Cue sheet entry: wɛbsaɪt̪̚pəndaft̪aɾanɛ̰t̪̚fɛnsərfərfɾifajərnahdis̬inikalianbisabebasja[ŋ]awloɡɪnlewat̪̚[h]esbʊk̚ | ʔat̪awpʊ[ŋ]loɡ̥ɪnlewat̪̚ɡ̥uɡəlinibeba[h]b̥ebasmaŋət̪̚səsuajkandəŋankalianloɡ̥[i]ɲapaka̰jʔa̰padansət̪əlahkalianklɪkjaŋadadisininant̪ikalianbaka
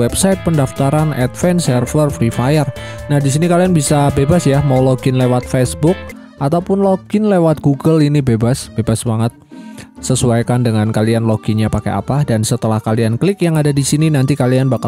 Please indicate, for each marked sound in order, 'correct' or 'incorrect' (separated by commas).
incorrect, incorrect, incorrect, incorrect, correct